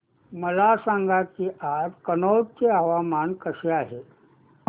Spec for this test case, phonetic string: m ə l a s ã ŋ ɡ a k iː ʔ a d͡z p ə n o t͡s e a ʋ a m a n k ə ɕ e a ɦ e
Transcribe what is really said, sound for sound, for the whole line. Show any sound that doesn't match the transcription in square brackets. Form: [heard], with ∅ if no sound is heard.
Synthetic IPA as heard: m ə l a s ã ŋ ɡ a k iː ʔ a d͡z [k] ə n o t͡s e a ʋ a m a n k ə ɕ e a ɦ e

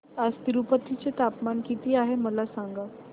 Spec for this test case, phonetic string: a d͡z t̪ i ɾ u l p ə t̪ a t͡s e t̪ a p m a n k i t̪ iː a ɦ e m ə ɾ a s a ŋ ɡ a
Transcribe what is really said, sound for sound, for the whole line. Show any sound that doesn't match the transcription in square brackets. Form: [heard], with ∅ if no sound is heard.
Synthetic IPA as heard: a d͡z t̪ i ɾ u [∅] p ə t̪ [i] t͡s e t̪ a p m a n k i t̪ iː a ɦ e m ə [l] a s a ŋ ɡ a

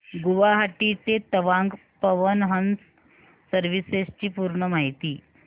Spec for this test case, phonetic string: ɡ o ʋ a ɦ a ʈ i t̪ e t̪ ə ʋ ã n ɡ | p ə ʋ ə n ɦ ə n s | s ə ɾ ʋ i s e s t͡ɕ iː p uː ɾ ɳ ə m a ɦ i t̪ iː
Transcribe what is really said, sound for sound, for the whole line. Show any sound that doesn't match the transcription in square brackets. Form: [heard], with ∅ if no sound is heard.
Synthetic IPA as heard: ɡ [u] ʋ a ɦ a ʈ i t̪ e t̪ ə ʋ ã [ŋ] ɡ | p ə ʋ ə n ɦ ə n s | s ə ɾ ʋ i s e s t͡ɕ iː p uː ɾ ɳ ə m a ɦ i t̪ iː

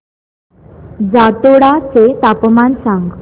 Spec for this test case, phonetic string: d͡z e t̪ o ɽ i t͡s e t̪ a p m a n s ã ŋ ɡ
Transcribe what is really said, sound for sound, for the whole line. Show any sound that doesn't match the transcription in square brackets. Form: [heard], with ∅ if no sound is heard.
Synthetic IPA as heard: d͡z [a] t̪ o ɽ [a] t͡s e t̪ a p m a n s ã ŋ ɡ

